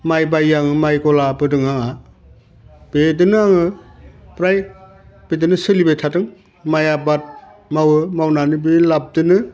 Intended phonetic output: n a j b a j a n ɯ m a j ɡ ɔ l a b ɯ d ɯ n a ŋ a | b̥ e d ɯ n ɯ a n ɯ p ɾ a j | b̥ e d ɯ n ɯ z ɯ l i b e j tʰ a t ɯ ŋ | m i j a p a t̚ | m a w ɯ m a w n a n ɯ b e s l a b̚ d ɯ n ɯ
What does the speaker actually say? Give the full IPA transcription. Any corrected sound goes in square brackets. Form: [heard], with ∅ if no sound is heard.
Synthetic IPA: [m] a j b a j a [ŋ] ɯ m a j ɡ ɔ l a b ɯ d ɯ [ŋ] a ŋ a | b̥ e d ɯ n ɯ a [ŋ] ɯ p ɾ a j | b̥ e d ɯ n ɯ [s] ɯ l i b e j tʰ a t ɯ ŋ | m [a] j a [b] a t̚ | m a w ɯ m a w n a n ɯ b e [∅] l a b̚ d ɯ n ɯ